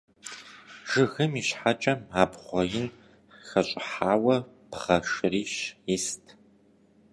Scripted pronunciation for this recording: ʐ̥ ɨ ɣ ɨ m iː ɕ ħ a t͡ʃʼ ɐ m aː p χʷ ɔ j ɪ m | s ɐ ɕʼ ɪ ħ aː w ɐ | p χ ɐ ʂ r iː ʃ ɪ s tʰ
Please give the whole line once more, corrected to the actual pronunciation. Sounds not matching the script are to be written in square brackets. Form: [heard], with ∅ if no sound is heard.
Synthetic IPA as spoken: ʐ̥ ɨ ɣ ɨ m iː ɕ ħ a t͡ʃʼ ɐ m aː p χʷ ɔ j ɪ [n] | [x] ɐ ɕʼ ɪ ħ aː w ɐ | p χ ɐ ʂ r iː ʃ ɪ s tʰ